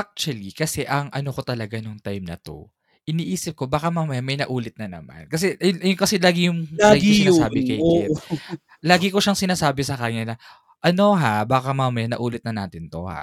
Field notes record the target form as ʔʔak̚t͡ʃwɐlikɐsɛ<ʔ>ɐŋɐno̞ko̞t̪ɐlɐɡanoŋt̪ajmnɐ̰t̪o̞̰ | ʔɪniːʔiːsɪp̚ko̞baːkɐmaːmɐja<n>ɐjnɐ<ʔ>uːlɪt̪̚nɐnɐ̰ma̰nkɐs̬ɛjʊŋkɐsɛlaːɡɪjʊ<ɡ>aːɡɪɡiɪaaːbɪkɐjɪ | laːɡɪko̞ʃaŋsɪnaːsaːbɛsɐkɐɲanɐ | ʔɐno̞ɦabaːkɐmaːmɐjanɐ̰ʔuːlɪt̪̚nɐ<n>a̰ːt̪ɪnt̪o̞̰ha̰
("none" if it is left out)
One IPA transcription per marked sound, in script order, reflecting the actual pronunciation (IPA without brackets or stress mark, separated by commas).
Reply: ʔ, m, ʔ, ŋ, n